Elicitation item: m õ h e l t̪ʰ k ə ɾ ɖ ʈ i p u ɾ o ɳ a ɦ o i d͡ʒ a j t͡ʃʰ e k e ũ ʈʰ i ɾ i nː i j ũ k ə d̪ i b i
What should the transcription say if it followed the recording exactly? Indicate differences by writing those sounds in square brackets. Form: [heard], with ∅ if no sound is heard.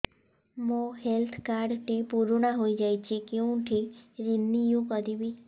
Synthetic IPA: m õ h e l t̪ʰ k [a] ɾ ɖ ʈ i p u ɾ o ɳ a ɦ o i d͡ʒ a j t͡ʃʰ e k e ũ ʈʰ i ɾ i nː i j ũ k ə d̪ i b i